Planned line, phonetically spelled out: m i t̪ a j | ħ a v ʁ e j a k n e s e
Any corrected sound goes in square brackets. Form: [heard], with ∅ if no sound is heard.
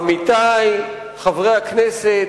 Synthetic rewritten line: m i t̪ a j | [χ] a v ʁ e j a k n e s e